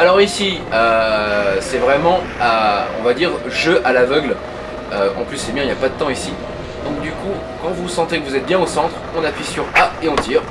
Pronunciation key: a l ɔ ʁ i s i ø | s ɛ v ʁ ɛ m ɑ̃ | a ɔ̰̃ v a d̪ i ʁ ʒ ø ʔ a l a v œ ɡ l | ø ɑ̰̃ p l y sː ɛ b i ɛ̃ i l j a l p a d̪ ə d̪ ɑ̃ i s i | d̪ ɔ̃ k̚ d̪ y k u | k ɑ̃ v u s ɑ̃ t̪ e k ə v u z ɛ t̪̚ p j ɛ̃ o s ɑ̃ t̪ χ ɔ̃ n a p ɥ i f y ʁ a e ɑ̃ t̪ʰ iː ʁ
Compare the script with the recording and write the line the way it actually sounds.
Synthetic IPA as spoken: a l ɔ ʁ i s i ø | s ɛ v ʁ ɛ m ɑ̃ | a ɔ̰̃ v a d̪ i ʁ ʒ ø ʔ a l a v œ ɡ l | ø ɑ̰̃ p l y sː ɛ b j ɛ̃ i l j a p a d̪ ə t̪ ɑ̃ i s i | d̪ ɔ̃ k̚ d̪ y k u | k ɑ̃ v u s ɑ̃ t̪ e k ə v u z ɛ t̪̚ b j ɛ̃ o s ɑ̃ t̪ χ ɔ̃ n a p ɥ i s y ʁ a e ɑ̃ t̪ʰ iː ʁ